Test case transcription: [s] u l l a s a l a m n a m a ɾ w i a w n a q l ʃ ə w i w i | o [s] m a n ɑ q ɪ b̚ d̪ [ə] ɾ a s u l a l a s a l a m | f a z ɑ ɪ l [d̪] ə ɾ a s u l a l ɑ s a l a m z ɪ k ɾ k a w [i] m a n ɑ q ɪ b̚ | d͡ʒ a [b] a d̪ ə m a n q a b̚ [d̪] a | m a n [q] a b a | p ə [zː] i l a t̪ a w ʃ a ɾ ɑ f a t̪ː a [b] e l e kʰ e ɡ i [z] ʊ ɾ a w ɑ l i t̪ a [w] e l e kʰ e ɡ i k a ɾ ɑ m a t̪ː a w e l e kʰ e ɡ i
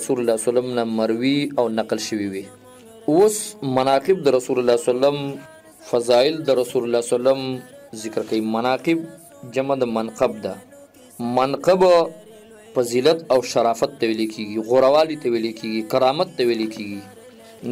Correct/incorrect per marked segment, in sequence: correct, correct, correct, correct, correct, incorrect, correct, correct, incorrect, incorrect, incorrect, correct

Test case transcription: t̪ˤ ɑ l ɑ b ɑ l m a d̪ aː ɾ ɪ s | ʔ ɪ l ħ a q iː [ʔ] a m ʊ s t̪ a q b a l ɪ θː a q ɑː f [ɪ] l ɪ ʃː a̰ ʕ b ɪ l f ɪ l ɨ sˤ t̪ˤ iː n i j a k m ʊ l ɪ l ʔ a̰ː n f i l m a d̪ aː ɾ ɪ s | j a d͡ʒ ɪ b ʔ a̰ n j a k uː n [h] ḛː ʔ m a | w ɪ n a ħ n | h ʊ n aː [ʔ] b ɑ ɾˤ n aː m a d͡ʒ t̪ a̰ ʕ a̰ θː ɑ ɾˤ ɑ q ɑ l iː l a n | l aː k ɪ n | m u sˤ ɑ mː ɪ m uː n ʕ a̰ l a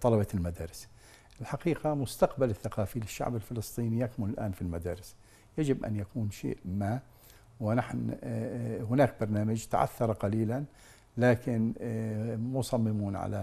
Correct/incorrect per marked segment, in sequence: incorrect, incorrect, incorrect, incorrect

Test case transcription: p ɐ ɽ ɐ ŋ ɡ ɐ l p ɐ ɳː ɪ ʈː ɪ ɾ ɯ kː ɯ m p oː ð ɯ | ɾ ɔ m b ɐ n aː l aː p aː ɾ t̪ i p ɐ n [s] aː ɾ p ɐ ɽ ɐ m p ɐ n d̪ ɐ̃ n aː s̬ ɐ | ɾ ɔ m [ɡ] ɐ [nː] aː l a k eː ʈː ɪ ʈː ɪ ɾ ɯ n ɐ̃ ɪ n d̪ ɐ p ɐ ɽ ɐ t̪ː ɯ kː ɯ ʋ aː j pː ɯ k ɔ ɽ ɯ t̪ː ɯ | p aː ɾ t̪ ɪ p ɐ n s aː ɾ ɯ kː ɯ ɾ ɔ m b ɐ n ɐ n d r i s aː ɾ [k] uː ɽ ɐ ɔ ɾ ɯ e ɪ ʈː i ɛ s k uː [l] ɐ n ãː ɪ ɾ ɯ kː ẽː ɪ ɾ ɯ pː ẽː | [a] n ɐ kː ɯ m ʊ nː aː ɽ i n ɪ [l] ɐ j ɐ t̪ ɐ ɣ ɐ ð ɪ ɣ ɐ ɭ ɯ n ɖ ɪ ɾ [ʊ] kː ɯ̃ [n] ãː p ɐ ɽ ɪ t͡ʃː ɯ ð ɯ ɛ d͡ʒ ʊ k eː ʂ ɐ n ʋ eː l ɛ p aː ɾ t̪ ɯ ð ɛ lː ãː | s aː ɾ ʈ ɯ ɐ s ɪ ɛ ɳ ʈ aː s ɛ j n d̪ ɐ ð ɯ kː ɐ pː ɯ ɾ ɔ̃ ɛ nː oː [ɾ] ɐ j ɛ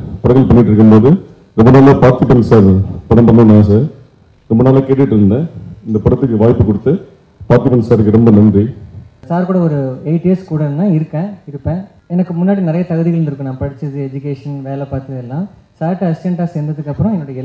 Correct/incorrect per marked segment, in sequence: correct, incorrect, incorrect, correct, incorrect, incorrect, incorrect, incorrect, correct, incorrect

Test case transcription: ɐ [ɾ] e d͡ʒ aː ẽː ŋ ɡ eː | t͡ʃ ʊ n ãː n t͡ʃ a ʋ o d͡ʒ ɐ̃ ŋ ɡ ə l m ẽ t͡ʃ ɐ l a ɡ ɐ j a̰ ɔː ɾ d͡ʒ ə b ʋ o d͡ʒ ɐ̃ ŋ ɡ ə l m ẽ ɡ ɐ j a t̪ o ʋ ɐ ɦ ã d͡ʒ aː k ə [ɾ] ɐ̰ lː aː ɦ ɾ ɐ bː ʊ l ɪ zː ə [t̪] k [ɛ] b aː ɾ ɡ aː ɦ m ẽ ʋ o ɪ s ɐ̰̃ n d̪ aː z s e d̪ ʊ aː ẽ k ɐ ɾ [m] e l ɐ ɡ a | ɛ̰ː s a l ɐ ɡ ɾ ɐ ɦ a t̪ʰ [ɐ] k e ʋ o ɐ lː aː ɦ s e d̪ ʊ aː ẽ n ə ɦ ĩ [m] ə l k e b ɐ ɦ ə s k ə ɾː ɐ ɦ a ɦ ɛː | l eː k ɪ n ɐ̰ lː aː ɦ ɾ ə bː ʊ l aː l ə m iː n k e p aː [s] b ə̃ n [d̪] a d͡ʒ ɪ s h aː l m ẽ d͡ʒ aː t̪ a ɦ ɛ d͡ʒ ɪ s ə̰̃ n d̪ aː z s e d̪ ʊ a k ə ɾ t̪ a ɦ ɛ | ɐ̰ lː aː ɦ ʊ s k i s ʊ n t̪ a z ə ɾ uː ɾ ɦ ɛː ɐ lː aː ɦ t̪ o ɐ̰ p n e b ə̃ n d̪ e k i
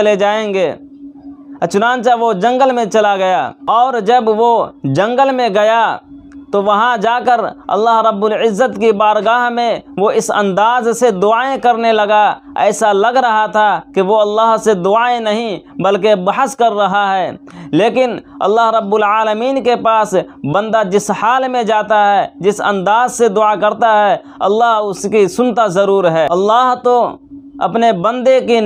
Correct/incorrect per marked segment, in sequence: incorrect, correct, correct, incorrect, incorrect, incorrect, incorrect, correct, correct

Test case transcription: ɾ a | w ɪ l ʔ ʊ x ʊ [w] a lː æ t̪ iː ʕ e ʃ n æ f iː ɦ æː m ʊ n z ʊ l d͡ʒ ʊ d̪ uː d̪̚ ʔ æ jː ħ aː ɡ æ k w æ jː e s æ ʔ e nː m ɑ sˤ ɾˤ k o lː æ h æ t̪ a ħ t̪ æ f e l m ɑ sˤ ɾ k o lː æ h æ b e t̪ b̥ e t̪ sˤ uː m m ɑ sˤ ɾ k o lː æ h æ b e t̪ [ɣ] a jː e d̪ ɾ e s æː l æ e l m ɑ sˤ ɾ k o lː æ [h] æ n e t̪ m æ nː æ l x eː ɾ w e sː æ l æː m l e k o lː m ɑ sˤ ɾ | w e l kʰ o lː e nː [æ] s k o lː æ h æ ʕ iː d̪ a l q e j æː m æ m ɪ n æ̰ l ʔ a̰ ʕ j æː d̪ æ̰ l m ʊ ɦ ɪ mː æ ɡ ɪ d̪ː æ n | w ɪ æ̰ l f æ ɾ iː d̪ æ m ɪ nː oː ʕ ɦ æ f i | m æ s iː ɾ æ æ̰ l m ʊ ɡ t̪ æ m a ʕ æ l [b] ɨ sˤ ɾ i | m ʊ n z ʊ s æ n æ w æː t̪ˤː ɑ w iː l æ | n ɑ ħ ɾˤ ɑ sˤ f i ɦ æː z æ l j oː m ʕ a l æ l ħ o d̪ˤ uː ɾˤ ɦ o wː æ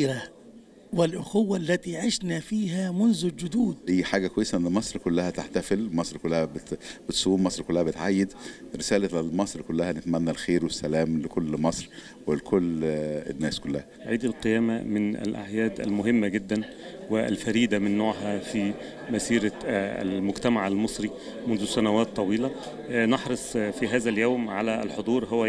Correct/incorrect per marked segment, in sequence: incorrect, incorrect, correct, incorrect, incorrect

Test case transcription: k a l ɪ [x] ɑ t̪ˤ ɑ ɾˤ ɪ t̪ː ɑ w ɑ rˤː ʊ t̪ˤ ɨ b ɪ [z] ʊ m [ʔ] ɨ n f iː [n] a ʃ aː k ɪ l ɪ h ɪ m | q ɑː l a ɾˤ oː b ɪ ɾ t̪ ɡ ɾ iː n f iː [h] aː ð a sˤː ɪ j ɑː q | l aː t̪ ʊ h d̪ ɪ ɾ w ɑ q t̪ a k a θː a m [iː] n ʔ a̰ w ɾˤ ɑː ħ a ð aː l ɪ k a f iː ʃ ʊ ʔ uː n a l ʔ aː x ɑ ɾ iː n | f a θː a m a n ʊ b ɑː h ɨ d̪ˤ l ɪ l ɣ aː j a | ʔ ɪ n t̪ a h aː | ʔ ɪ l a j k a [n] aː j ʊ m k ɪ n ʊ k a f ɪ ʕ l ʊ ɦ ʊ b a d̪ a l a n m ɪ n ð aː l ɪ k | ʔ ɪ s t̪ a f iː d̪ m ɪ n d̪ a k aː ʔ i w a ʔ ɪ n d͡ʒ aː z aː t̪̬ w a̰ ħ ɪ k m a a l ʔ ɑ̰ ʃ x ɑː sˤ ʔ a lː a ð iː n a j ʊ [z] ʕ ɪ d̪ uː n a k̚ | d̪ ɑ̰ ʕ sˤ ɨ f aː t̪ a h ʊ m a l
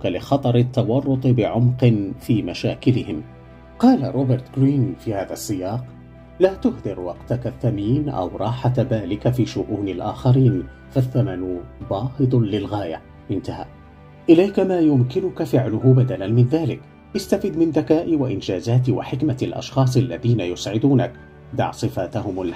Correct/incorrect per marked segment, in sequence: correct, incorrect, incorrect, incorrect, correct, correct, incorrect, incorrect

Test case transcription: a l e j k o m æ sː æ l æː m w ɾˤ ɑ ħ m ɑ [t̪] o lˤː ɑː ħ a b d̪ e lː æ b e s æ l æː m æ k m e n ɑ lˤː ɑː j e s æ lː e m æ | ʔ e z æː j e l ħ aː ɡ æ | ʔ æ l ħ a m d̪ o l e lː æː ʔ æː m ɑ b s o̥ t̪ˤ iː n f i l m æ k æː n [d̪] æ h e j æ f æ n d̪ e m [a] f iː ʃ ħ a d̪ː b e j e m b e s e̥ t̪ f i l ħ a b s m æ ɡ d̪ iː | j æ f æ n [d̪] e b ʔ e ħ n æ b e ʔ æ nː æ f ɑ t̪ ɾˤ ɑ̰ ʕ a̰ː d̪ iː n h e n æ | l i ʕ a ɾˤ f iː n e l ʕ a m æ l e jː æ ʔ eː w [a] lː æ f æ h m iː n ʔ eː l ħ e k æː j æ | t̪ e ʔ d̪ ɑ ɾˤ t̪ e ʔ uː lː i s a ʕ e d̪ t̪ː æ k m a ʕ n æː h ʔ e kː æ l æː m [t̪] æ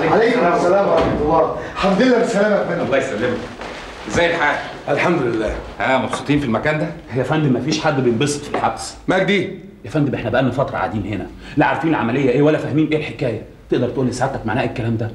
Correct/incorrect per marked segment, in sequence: correct, correct, incorrect, correct, incorrect, incorrect

